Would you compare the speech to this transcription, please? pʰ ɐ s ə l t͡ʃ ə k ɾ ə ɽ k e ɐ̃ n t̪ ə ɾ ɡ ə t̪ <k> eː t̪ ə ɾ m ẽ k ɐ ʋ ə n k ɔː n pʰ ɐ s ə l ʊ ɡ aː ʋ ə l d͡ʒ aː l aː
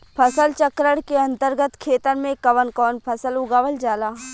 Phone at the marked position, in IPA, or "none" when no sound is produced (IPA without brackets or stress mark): kʰ